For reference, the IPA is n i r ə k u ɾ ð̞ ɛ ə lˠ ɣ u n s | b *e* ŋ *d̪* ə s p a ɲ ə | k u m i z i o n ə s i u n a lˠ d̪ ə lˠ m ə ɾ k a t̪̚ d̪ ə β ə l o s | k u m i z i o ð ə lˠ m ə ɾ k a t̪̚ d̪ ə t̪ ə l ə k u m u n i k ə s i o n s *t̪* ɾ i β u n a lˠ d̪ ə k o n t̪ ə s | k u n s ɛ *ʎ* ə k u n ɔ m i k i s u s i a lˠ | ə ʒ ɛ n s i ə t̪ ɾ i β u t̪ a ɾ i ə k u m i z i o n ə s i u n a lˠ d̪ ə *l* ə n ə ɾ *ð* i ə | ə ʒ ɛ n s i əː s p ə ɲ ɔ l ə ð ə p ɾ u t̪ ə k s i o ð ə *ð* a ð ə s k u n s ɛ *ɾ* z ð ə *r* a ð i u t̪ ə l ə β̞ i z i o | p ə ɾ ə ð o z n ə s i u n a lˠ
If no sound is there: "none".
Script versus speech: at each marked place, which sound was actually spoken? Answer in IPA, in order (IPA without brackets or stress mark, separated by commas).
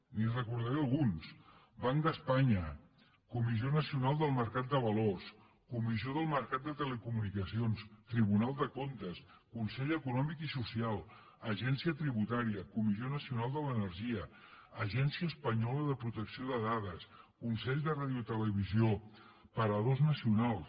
a, d̪, t̪, ʎ, l, ʒ, ð, ʎ, r